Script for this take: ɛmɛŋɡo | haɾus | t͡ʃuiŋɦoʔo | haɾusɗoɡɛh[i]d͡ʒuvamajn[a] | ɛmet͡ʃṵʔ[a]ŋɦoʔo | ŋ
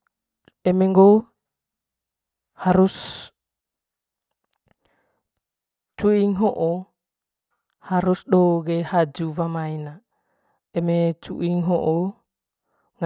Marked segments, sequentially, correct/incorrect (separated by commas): incorrect, correct, incorrect